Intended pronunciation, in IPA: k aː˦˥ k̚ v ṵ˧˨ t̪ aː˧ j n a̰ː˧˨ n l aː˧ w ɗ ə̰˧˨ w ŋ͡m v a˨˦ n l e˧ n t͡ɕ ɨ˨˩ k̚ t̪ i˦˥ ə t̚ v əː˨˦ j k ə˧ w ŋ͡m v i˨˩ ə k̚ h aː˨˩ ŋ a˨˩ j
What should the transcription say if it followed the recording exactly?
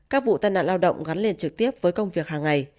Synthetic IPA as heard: k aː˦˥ k̚ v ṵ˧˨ t̪ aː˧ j n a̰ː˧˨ n l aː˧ w ɗ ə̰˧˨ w ŋ͡m ɣ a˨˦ n l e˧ n t͡ɕ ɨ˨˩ k̚ t̪ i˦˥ ə p̚ v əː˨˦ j k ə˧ w ŋ͡m v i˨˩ ə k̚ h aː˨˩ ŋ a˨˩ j